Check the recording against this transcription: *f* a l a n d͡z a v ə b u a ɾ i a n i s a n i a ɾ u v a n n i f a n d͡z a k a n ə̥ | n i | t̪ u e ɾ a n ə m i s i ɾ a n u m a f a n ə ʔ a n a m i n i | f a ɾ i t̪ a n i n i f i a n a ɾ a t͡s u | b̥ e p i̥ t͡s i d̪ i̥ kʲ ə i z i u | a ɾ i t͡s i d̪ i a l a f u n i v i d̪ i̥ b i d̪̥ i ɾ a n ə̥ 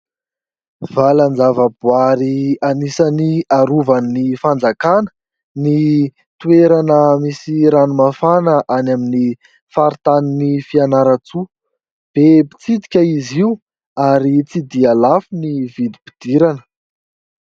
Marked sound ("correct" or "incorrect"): incorrect